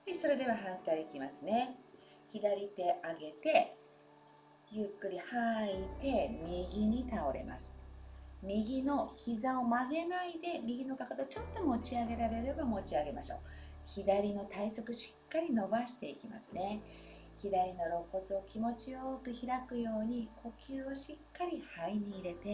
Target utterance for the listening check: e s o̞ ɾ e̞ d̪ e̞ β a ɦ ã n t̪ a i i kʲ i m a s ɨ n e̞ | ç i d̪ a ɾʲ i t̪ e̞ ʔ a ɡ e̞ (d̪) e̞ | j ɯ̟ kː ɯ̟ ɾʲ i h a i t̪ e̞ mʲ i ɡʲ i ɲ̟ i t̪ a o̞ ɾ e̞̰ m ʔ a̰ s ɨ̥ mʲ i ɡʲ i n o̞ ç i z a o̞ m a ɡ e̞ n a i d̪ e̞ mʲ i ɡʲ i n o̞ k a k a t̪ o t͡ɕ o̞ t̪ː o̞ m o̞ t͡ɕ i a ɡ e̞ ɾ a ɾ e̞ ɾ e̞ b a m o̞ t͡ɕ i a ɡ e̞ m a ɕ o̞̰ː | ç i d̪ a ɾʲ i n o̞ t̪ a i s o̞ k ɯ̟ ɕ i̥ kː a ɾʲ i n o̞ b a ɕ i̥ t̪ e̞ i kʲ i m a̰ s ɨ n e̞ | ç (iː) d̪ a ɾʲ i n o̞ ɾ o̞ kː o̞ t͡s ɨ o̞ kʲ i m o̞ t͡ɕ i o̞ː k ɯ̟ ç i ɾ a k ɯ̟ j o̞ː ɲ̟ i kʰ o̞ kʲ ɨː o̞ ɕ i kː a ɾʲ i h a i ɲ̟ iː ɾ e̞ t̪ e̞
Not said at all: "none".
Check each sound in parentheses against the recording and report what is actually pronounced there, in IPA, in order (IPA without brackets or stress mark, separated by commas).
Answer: t̪, i